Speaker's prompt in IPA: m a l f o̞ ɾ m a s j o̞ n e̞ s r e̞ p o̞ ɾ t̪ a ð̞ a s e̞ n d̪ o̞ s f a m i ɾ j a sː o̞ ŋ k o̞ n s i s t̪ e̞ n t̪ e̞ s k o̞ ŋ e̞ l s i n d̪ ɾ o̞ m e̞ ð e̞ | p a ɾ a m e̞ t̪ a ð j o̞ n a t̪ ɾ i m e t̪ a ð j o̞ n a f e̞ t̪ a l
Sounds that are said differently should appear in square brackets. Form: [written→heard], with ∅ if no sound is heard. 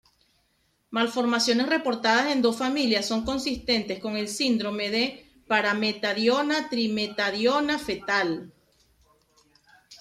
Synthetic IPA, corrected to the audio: m a l f o̞ ɾ m a s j o̞ n e̞ s r e̞ p o̞ ɾ t̪ a ð̞ a s e̞ n d̪ o̞ s f a m i [ɾ→l] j a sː o̞ ŋ k o̞ n s i s t̪ e̞ n t̪ e̞ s k o̞ ŋ e̞ l s i n d̪ ɾ o̞ m e̞ ð e̞ | p a ɾ a m e̞ t̪ a ð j o̞ n a t̪ ɾ i m e t̪ a ð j o̞ n a f e̞ t̪ a l